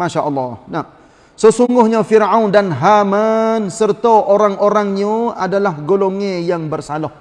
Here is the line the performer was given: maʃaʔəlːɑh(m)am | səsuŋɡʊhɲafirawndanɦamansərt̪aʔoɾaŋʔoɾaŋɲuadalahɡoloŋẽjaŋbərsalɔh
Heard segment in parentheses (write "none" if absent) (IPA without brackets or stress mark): n